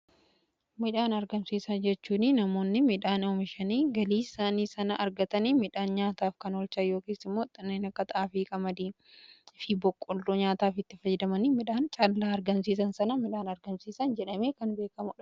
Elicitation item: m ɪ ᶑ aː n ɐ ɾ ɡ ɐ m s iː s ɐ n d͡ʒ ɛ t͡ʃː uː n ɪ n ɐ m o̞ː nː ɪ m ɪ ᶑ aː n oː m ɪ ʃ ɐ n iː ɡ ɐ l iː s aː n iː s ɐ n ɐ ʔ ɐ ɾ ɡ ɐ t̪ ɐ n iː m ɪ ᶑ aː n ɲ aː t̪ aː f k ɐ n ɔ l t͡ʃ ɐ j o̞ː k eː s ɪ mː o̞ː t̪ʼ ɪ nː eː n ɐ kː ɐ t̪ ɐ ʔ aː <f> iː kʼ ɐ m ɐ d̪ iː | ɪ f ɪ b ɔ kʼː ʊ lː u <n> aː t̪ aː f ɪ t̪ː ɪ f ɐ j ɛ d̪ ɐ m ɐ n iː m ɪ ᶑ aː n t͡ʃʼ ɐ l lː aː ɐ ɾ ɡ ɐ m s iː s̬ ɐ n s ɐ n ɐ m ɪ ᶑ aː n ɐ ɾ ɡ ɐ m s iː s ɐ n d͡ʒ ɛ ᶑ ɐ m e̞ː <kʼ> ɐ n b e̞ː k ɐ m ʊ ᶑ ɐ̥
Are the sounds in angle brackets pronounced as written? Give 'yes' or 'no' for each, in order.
yes, no, no

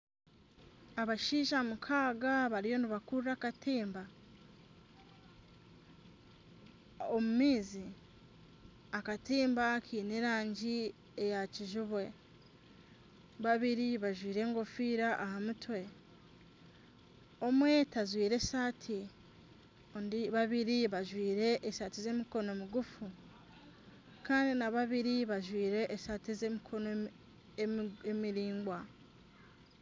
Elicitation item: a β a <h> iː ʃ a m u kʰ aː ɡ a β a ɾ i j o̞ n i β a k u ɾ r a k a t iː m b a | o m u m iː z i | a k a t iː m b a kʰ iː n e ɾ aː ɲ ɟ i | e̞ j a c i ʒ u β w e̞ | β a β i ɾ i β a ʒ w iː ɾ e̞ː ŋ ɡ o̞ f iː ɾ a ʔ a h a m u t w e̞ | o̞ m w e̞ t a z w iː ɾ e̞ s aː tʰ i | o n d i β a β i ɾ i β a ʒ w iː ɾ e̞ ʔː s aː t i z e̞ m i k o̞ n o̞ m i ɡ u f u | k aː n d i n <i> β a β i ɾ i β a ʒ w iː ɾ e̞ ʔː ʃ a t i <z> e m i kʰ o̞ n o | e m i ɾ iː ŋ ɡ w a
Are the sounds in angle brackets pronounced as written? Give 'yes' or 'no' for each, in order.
no, no, yes

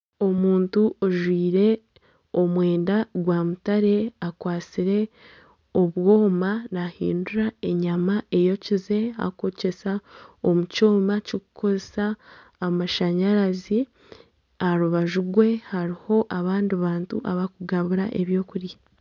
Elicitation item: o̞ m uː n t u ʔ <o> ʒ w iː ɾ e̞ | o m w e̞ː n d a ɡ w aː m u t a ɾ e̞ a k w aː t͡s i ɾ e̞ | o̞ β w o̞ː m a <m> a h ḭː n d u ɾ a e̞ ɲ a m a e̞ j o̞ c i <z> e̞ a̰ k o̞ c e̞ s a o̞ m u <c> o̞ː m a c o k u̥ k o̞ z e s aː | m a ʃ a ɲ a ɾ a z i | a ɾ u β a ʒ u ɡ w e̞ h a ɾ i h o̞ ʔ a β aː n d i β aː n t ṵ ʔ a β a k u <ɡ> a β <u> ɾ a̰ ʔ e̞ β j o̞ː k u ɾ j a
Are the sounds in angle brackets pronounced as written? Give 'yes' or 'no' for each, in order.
yes, no, yes, yes, yes, yes

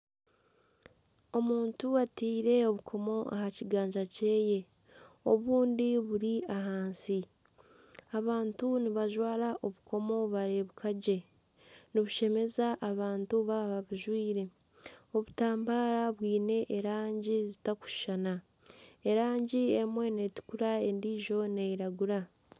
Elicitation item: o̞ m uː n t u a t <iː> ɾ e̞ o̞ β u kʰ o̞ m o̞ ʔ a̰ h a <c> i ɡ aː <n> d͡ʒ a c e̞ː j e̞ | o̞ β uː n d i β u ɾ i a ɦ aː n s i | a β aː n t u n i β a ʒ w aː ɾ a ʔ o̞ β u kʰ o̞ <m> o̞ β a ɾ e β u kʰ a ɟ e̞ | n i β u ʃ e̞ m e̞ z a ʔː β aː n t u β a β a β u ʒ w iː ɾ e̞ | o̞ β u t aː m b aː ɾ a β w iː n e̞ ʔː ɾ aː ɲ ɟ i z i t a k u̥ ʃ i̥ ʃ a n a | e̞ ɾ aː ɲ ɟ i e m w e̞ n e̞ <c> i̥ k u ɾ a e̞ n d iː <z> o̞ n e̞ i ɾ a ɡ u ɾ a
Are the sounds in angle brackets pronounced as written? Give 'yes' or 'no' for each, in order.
yes, yes, no, yes, no, no

